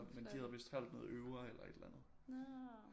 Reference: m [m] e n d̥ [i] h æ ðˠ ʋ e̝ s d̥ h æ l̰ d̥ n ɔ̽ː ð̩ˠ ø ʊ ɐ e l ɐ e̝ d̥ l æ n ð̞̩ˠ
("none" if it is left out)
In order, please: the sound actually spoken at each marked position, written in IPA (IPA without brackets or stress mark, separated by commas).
m, i